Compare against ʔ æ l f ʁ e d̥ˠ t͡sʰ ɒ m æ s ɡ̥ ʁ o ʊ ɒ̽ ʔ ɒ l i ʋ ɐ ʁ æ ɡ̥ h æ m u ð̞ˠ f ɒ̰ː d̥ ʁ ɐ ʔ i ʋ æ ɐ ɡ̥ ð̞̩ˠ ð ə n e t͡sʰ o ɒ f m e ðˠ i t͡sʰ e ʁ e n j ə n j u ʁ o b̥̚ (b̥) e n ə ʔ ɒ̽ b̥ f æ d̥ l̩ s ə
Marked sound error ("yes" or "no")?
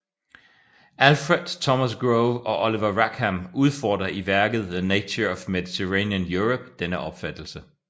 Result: yes